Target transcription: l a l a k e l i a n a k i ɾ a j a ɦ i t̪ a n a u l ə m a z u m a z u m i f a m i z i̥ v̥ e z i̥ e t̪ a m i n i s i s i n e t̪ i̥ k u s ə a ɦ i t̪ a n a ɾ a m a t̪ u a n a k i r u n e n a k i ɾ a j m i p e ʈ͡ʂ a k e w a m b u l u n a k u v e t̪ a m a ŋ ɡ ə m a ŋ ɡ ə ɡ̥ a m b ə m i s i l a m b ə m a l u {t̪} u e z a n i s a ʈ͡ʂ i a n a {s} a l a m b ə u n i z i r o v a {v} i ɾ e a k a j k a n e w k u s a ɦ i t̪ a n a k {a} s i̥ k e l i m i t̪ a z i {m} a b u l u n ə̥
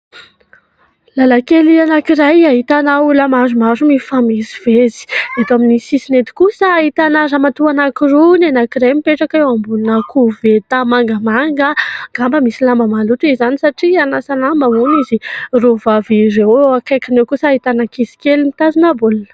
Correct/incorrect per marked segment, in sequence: correct, correct, correct, incorrect: i, incorrect: n

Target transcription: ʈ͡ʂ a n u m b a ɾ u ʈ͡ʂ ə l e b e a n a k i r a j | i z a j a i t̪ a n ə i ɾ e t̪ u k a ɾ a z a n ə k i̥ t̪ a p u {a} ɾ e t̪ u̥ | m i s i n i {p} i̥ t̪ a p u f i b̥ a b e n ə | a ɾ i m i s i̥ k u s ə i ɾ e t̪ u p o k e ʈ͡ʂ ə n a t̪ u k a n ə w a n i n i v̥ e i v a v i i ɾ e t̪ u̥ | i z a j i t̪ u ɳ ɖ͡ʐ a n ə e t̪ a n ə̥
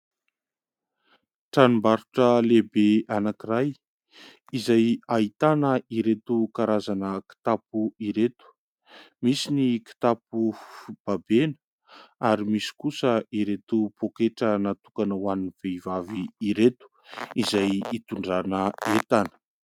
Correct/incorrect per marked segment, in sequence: incorrect: i, incorrect: k

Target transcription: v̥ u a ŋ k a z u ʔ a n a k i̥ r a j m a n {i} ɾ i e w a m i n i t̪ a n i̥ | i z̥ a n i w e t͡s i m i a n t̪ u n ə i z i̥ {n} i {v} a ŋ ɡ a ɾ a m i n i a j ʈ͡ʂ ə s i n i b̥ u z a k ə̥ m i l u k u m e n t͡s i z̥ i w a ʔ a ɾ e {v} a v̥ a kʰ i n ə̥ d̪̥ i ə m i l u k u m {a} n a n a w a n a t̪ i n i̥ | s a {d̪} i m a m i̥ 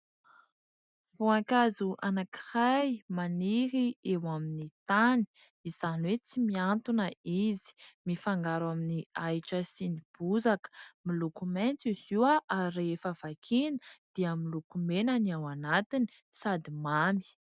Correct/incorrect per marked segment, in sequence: correct, incorrect: m, incorrect: f, incorrect: f, incorrect: e, correct

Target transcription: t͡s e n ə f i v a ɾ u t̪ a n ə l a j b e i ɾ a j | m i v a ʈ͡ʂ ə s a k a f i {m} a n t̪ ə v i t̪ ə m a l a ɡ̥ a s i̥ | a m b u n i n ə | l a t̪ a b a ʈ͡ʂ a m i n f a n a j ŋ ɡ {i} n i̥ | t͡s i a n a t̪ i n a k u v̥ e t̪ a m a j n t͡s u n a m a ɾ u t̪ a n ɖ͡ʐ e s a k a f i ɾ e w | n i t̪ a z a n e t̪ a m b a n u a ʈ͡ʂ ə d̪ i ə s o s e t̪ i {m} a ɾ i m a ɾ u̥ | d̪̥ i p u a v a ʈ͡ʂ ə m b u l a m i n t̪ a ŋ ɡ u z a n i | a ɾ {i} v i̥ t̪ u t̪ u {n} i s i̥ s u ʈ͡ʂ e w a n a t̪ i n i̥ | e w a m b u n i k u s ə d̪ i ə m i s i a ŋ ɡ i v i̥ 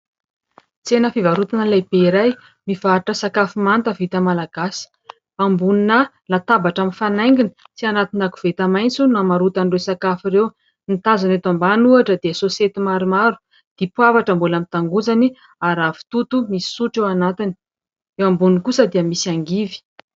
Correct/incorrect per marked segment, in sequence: correct, correct, correct, incorrect: a, incorrect: m

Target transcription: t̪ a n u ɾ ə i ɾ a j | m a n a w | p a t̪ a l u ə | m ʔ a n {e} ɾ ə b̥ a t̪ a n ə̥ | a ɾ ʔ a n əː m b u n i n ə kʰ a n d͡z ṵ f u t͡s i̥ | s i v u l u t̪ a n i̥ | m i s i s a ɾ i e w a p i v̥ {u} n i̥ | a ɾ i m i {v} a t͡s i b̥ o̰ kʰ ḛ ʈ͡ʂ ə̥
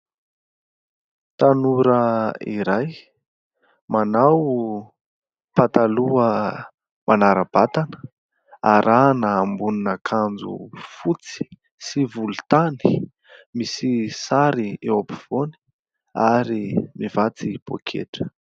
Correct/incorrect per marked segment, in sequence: incorrect: a, incorrect: o, correct

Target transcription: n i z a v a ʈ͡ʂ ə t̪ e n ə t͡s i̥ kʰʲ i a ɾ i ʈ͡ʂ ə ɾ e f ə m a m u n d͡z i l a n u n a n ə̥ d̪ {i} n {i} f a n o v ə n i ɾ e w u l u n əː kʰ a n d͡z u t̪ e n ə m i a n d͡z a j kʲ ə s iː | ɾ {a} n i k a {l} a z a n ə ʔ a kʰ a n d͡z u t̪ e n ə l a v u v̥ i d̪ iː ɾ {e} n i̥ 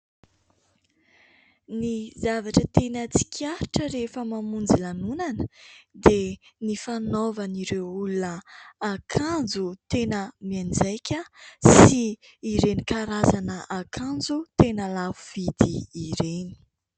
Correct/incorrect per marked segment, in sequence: incorrect: e, correct, incorrect: e, incorrect: ɾ, correct

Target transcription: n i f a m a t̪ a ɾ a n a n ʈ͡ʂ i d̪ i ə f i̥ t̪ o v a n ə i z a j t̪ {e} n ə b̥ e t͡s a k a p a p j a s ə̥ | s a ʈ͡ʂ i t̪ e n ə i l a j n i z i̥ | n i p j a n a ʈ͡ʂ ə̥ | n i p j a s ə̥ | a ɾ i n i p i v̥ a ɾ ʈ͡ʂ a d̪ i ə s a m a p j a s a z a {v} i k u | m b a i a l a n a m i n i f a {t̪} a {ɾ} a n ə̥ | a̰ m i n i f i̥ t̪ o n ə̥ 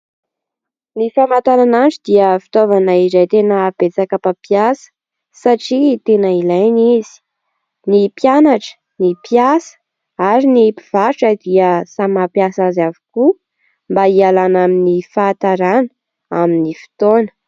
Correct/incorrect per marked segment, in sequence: correct, correct, correct, correct

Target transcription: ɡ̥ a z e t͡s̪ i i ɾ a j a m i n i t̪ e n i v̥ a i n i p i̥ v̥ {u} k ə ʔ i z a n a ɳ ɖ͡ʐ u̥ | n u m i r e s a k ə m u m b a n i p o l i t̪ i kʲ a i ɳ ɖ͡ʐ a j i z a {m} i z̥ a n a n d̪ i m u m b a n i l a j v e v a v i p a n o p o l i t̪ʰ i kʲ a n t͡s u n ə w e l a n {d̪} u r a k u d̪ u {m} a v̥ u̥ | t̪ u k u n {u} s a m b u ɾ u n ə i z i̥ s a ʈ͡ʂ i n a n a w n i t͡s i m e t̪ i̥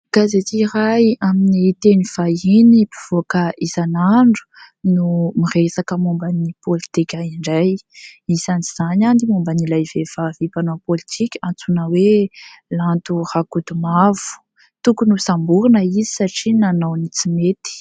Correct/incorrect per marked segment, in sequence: incorrect: o, incorrect: n, incorrect: t̪, correct, correct

